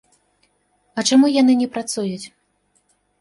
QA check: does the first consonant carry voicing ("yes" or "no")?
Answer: no